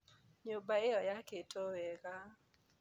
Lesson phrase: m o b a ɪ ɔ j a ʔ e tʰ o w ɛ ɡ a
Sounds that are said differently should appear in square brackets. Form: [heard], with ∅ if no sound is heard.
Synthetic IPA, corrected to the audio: [ɲ] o b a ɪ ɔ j a [k] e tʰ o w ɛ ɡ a